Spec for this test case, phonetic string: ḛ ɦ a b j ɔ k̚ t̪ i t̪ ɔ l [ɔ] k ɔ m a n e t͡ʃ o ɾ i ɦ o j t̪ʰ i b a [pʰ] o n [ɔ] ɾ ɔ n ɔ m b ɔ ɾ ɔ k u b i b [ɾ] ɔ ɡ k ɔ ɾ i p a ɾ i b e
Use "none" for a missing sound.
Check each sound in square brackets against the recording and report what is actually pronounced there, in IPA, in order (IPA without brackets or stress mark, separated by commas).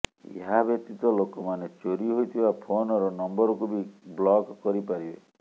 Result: o, pʰ, ɔ, l